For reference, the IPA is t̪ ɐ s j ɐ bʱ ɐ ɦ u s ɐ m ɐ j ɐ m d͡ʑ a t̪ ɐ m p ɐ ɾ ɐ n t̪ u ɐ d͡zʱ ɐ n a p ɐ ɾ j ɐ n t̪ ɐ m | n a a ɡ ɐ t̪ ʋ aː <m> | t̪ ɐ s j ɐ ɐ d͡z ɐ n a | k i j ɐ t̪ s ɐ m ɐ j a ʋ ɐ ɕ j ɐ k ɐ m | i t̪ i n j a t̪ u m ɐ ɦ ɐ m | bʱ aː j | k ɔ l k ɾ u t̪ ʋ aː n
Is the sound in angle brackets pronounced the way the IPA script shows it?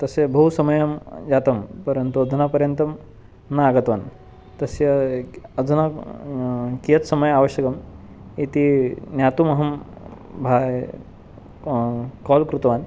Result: no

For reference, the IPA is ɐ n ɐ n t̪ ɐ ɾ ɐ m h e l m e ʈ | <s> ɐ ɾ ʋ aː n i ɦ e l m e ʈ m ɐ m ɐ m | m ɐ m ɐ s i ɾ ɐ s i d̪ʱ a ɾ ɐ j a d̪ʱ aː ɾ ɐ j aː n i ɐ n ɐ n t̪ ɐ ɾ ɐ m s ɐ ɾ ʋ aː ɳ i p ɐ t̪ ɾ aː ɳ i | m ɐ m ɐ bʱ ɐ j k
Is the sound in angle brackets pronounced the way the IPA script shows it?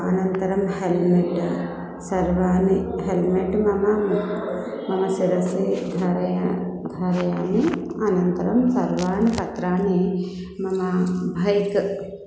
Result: yes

